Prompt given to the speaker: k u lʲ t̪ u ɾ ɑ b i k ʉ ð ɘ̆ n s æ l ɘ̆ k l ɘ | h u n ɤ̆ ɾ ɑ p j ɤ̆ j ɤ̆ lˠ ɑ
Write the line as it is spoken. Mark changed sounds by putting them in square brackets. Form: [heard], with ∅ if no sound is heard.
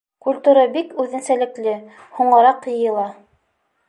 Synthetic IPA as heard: k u lʲ t̪ u ɾ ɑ b i k ʉ ð ɘ̆ n s æ l ɘ̆ k l ɘ | h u [ɴ] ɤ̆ ɾ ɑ [q] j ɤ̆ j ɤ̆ lˠ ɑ